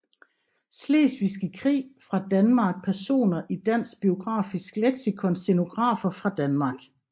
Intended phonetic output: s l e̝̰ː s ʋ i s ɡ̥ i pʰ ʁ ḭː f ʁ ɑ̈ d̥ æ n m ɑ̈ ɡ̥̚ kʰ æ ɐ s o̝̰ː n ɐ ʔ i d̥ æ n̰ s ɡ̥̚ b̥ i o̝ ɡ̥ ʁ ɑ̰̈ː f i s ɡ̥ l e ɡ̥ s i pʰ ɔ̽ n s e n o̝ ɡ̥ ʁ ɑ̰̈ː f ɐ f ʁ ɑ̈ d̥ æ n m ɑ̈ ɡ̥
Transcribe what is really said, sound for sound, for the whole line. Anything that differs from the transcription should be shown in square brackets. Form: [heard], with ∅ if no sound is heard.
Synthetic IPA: s l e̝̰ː s ʋ i s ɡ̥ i [kʰ] ʁ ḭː f ʁ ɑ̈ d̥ æ n m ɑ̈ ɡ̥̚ [pʰ] æ ɐ s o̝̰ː n ɐ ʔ i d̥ æ n̰ s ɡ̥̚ b̥ i o̝ ɡ̥ ʁ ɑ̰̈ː f i s ɡ̥ l e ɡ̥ s i [kʰ] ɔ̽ n s e n o̝ ɡ̥ ʁ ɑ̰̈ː f ɐ f ʁ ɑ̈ d̥ æ n m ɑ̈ ɡ̥